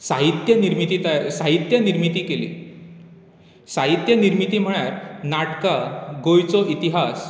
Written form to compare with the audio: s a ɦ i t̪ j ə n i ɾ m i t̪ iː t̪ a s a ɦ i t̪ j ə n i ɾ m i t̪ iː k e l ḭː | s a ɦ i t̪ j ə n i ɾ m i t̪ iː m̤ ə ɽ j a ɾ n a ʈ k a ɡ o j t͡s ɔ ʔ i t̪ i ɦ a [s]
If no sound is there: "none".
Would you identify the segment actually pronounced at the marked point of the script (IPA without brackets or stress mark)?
s